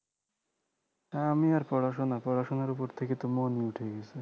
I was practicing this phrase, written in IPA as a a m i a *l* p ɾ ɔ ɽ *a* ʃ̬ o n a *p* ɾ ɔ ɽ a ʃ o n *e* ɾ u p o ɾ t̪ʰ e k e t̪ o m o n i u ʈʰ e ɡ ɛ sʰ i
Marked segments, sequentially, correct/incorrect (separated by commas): incorrect, correct, correct, incorrect